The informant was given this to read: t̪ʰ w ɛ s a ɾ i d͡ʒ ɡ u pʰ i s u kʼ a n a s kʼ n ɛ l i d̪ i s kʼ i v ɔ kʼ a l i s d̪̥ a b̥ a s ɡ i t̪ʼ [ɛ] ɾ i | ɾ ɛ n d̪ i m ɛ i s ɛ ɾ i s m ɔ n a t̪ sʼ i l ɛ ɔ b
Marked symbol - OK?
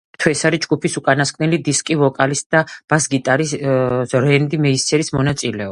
no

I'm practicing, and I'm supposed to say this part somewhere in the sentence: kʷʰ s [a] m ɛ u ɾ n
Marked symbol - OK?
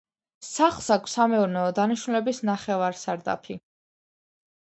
yes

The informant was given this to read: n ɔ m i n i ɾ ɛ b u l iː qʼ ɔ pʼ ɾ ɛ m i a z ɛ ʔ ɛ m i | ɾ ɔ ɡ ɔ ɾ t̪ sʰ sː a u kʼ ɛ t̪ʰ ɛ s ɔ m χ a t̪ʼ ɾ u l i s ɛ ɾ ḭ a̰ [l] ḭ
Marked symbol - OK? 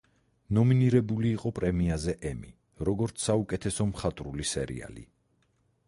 yes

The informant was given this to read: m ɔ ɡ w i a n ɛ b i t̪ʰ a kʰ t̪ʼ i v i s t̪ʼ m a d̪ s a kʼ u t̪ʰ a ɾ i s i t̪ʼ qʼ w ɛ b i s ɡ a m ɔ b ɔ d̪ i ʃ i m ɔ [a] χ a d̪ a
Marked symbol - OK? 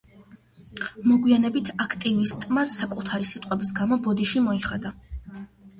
no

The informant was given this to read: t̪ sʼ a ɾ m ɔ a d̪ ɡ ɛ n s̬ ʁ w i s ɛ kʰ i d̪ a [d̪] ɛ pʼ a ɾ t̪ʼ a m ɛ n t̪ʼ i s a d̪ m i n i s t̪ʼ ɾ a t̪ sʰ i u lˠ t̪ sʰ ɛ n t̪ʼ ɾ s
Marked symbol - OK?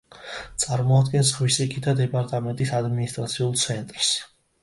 yes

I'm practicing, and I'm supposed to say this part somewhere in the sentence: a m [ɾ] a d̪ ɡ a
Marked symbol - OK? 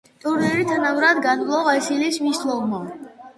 yes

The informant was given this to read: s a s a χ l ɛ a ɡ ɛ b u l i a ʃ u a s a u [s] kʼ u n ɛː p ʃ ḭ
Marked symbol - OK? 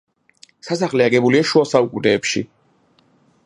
no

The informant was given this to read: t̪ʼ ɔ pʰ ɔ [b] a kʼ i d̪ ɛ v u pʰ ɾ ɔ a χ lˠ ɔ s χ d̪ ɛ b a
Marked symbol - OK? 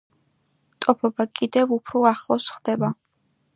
yes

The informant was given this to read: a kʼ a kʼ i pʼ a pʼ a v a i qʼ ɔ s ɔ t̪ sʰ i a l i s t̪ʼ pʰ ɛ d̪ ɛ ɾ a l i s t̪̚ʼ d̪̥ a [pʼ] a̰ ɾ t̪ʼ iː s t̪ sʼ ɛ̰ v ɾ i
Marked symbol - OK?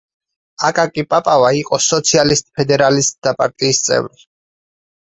yes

